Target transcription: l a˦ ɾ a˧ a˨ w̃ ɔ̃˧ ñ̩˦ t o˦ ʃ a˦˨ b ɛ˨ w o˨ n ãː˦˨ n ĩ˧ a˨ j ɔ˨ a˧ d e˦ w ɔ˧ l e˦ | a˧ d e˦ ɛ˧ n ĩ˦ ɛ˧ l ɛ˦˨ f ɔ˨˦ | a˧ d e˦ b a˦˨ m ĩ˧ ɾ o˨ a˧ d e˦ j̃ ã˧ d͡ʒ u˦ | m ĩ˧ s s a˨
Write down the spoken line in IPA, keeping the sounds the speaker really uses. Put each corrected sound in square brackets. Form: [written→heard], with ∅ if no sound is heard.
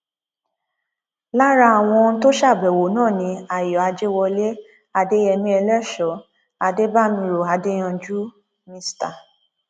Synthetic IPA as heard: l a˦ ɾ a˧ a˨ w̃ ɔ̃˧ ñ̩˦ t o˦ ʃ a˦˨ b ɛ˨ w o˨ n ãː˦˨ n ĩ˧ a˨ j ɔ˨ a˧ [d→d͡ʒ] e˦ w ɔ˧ l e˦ | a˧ d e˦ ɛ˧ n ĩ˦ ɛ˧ l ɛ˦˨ [f→ʃ] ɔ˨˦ | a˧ d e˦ b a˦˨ m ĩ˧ ɾ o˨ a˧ d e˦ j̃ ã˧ d͡ʒ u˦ | m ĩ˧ s [s→t] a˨